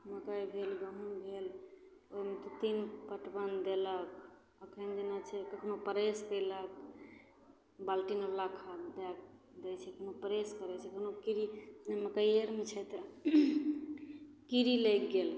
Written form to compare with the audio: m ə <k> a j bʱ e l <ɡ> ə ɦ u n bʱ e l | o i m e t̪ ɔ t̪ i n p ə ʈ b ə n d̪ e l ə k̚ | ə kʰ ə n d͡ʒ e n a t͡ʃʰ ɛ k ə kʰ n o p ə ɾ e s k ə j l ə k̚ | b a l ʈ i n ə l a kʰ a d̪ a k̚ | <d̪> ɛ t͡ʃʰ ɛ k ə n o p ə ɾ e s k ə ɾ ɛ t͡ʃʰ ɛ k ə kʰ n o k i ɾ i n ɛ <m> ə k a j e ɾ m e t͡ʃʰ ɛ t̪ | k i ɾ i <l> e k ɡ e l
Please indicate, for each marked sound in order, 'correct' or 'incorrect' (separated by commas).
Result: correct, correct, correct, correct, correct